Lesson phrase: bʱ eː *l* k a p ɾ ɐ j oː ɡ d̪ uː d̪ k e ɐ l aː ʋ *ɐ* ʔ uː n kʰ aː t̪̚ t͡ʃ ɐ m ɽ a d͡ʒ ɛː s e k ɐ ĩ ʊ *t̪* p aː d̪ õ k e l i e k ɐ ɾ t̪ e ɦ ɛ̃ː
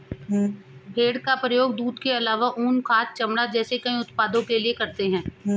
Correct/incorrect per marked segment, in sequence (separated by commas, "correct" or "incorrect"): incorrect, incorrect, correct